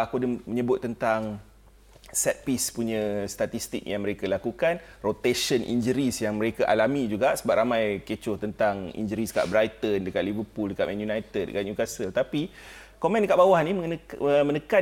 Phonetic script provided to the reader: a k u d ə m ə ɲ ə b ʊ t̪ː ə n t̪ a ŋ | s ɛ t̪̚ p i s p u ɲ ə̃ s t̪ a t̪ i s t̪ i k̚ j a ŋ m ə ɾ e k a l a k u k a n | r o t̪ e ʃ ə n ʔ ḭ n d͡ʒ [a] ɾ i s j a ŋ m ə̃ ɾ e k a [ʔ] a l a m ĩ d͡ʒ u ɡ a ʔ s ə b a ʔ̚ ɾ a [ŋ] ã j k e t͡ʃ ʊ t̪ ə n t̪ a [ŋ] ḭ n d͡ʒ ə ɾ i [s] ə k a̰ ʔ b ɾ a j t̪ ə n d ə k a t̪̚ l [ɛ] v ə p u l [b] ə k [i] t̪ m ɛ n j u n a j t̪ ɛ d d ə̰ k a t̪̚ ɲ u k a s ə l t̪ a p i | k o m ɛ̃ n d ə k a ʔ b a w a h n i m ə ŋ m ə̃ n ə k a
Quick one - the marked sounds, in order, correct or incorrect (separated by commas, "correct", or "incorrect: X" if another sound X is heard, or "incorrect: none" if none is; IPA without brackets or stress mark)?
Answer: incorrect: ə, correct, incorrect: m, correct, correct, incorrect: i, incorrect: d, incorrect: a